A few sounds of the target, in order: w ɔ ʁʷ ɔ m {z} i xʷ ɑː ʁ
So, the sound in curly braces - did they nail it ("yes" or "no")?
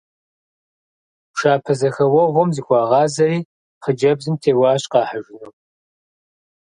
yes